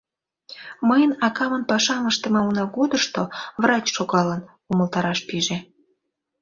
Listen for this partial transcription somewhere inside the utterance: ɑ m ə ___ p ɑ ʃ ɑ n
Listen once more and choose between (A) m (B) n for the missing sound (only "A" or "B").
B